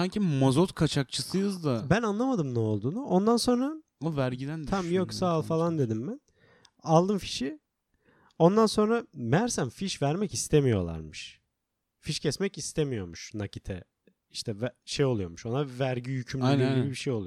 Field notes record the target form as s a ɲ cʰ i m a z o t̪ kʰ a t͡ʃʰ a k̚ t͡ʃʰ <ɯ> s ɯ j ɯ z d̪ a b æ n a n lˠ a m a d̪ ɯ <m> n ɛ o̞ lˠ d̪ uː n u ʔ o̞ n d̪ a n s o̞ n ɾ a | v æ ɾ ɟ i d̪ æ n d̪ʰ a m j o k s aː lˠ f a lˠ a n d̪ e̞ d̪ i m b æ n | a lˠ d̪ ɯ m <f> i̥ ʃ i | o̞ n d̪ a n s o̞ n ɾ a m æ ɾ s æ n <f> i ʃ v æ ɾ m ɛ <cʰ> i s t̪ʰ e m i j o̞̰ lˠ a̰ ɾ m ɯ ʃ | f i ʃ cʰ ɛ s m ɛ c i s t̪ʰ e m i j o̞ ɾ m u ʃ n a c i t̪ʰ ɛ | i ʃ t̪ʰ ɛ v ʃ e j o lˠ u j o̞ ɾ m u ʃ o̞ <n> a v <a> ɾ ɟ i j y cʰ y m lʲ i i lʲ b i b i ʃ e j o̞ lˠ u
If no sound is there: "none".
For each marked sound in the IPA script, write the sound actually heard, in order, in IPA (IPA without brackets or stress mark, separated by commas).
ɯ, m, f, f, c, n, æ